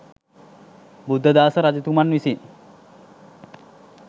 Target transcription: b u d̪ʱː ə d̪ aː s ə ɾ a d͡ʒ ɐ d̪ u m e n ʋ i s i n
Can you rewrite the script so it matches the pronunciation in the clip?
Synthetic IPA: b u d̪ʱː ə d̪ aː s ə ɾ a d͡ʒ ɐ t̪ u m a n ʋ i s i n